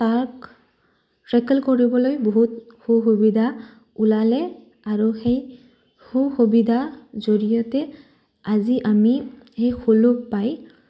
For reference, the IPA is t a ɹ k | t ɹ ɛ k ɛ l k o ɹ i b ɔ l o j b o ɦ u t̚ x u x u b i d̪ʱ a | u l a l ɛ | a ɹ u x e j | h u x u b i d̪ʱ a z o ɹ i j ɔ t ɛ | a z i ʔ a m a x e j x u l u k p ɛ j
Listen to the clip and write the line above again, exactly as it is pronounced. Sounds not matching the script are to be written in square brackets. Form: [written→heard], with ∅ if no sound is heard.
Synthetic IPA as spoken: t a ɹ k | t ɹ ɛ k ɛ l k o ɹ i b ɔ l o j b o ɦ u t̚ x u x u b i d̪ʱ a | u l a l ɛ | a ɹ u x e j | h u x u b i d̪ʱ a z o ɹ i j ɔ t ɛ | a z i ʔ a m [a→i] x e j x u l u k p [ɛ→a] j